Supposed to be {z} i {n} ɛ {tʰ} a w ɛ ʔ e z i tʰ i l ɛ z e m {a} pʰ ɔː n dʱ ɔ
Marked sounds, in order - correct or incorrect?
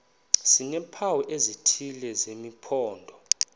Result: incorrect, correct, incorrect, incorrect

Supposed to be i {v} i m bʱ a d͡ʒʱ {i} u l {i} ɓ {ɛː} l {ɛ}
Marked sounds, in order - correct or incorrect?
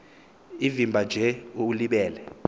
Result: correct, incorrect, correct, correct, correct

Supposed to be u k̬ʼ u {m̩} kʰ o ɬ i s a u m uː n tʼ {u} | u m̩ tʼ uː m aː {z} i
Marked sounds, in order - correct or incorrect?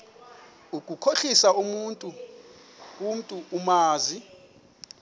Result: incorrect, correct, correct

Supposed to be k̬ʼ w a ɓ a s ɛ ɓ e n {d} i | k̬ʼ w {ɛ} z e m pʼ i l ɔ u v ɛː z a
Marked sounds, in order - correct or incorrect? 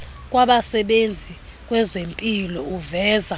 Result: incorrect, correct

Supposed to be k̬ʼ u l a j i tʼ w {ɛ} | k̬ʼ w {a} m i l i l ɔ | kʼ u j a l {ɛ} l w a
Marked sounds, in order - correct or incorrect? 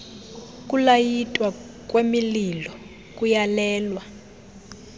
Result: incorrect, incorrect, incorrect

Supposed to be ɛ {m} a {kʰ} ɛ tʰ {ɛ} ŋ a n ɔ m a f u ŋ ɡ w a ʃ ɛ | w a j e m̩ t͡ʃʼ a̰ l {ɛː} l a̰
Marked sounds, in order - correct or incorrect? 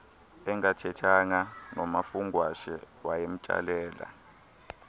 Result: incorrect, incorrect, incorrect, correct

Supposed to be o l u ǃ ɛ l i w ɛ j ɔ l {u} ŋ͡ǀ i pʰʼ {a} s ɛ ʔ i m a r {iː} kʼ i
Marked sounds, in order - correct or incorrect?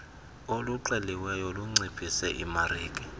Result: correct, incorrect, correct

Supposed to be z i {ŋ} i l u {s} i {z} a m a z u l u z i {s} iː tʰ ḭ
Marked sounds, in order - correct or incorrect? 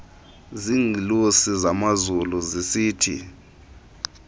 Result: correct, correct, correct, correct

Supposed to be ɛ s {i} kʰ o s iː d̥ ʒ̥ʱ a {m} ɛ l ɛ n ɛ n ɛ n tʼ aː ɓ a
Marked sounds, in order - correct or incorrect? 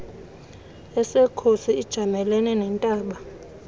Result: incorrect, correct

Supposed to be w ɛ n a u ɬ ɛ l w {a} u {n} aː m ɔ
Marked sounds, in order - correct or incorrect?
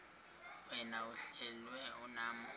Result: incorrect, correct

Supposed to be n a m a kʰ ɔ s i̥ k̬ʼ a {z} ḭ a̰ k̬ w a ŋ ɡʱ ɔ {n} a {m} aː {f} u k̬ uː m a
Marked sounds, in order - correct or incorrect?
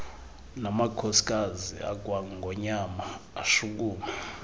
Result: correct, incorrect, correct, incorrect

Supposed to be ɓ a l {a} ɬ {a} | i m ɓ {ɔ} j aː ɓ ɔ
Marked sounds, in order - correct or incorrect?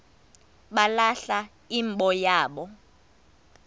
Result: correct, correct, correct

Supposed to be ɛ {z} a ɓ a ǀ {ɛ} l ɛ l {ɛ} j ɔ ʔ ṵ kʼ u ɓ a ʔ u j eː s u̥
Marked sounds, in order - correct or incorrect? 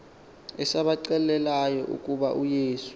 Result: incorrect, correct, incorrect

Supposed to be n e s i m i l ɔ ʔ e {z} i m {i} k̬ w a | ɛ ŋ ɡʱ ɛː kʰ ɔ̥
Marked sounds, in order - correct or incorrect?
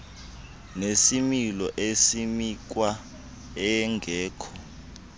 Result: incorrect, correct

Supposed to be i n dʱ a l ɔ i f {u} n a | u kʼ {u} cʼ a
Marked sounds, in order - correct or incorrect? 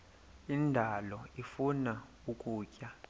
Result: correct, incorrect

